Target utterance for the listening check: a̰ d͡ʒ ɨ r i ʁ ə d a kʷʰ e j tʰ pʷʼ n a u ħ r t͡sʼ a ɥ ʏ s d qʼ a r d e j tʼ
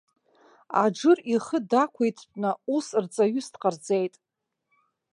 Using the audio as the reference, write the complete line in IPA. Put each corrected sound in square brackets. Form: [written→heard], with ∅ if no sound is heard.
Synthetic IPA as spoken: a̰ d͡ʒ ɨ r i [ʁ→χ] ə d a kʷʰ e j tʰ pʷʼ n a u [ħ→s] r t͡sʼ a ɥ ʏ s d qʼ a r [d→d͡z] e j tʼ